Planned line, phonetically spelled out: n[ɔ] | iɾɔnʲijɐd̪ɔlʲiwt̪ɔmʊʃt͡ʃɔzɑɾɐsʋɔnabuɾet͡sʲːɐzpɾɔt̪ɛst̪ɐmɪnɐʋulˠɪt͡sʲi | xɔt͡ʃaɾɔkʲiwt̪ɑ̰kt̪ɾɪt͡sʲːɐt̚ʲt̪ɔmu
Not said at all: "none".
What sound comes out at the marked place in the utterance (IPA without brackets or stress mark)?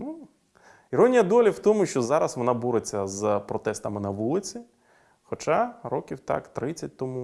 u